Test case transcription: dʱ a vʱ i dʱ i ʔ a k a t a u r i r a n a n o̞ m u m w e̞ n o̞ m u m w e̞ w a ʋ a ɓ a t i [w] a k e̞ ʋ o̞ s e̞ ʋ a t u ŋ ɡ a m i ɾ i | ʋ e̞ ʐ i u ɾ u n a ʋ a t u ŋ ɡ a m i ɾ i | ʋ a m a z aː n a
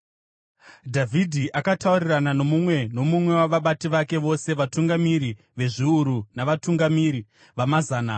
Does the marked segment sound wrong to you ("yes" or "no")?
yes